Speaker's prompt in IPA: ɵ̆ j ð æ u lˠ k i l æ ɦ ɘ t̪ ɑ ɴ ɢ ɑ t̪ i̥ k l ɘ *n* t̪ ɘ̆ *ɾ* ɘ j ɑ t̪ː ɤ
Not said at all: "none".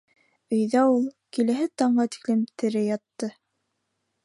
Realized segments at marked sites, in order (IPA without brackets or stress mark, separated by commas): m, ɾ